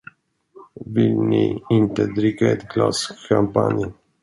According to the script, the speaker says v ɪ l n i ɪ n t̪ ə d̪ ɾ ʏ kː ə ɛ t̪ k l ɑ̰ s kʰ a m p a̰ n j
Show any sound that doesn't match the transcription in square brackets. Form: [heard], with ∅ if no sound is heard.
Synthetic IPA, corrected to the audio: v ɪ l n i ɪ n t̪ ə d̪ ɾ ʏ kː [a] ɛ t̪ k l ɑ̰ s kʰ a m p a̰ n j